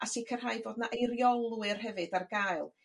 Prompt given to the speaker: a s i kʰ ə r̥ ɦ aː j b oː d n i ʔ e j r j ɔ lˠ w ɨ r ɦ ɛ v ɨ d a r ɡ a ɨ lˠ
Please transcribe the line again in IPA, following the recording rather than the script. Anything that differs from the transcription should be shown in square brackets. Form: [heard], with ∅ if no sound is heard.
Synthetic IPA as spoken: a s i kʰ ə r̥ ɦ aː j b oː d n [a] ʔ e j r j ɔ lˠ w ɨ r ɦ ɛ v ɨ d a r ɡ a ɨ lˠ